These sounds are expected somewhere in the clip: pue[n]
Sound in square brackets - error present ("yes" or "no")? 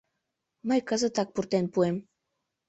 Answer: yes